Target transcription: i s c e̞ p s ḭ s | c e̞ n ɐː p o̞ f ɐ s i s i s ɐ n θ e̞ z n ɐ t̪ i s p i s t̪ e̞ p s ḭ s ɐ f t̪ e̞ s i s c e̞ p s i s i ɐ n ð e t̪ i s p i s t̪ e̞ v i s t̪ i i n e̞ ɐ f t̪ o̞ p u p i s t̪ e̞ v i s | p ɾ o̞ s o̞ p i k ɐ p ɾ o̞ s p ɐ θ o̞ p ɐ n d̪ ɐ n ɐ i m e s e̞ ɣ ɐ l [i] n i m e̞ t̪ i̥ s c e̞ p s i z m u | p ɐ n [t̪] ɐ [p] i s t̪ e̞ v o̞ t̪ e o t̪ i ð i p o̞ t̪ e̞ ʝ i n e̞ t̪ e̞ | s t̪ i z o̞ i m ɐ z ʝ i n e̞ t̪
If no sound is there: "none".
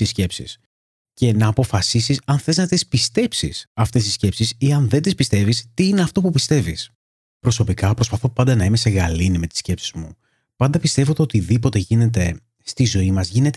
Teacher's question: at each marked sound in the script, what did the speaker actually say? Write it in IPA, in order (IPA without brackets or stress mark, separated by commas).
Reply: i, d̪, p